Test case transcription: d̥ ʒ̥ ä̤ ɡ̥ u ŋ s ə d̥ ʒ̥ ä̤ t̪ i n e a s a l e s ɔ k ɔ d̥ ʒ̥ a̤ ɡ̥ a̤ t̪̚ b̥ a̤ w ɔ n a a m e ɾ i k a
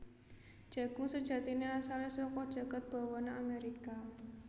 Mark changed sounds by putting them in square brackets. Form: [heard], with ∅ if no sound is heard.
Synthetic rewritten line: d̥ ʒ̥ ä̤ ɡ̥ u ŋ s ə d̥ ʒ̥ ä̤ t̪ i n e a s a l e s ɔ k ɔ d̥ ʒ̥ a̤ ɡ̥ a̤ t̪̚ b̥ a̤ w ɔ n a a m e ɾ i k a